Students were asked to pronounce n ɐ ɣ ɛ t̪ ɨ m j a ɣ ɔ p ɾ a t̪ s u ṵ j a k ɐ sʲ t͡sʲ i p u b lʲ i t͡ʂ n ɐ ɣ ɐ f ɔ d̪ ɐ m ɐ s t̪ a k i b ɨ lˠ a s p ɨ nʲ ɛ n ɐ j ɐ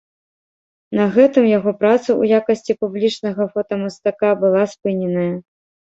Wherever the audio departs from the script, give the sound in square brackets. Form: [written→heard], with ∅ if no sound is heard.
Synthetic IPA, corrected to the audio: n ɐ ɣ ɛ t̪ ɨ m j a ɣ ɔ p ɾ a t̪ s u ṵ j a k ɐ sʲ t͡sʲ i p u b lʲ i t͡ʂ n ɐ ɣ ɐ f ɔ [d̪→t̪] ɐ m ɐ s t̪ a k [i→a] b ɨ lˠ a s p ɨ nʲ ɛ n ɐ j ɐ